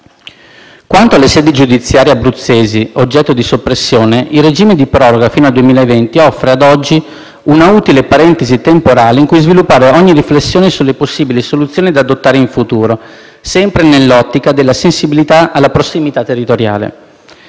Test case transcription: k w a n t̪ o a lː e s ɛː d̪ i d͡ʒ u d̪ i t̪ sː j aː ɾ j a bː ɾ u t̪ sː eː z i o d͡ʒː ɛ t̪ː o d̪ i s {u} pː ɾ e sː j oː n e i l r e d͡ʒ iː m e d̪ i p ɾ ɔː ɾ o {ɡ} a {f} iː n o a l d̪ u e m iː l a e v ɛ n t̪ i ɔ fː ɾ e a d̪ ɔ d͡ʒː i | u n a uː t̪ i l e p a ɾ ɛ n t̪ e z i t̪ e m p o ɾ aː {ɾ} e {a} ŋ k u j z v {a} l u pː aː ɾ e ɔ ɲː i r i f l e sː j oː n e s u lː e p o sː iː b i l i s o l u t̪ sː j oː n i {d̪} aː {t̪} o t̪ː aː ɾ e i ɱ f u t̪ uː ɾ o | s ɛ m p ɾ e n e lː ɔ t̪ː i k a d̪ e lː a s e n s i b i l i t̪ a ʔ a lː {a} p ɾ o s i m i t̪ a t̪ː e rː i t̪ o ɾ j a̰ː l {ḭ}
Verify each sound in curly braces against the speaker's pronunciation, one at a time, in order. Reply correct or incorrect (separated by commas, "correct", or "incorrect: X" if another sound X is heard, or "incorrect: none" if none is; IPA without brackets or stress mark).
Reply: incorrect: o, correct, correct, incorrect: l, incorrect: i, incorrect: i, correct, incorrect: d̪, correct, incorrect: ḛ